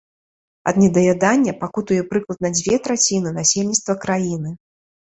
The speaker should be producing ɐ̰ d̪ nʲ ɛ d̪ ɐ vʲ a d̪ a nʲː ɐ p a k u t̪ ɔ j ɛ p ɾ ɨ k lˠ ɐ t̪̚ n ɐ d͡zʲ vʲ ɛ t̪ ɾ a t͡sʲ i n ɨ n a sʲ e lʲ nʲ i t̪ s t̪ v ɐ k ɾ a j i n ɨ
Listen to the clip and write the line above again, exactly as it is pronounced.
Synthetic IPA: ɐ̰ d̪ nʲ ɛ d̪ ɐ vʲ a d̪ a nʲː ɐ p a k u t̪ u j ɛ p ɾ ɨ k lˠ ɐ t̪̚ n ɐ d͡zʲ vʲ ɛ t̪ ɾ a t͡sʲ i n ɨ n a sʲ e lʲ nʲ i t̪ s t̪ v ɐ k ɾ a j i n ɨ